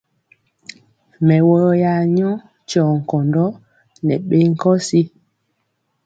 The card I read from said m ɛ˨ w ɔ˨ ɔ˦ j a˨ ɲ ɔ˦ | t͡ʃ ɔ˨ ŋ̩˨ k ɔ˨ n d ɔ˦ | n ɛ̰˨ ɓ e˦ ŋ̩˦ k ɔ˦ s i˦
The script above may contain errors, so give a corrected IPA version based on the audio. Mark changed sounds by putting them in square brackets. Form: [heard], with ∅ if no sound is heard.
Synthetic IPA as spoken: m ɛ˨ w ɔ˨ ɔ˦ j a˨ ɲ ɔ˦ | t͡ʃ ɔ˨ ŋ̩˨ k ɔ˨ n d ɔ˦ | n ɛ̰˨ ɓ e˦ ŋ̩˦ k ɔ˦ s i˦